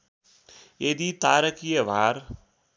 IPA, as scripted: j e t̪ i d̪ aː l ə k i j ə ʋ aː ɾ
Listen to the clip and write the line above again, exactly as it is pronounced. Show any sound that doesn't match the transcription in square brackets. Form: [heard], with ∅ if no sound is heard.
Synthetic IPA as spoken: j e [d̪] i [t̪] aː [ɾ] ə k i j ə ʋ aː ɾ